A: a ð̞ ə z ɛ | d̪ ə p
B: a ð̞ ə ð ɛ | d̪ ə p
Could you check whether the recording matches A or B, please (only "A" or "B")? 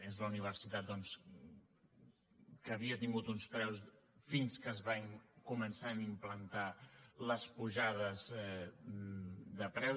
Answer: A